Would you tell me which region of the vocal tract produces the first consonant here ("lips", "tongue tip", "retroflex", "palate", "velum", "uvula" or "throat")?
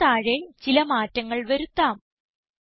retroflex